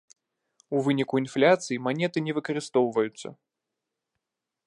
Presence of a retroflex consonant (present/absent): absent